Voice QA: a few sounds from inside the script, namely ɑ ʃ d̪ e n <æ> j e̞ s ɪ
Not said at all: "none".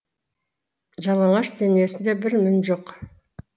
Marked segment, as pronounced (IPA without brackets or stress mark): i